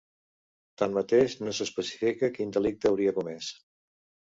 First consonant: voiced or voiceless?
voiceless